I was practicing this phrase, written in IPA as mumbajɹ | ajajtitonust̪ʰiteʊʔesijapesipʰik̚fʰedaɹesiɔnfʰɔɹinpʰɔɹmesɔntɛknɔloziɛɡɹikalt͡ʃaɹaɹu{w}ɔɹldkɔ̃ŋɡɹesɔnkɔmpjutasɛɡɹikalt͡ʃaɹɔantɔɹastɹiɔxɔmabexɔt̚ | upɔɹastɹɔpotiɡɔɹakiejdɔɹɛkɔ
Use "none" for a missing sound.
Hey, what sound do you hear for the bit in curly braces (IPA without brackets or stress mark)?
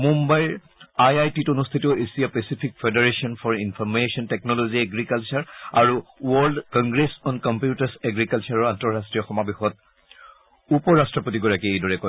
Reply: w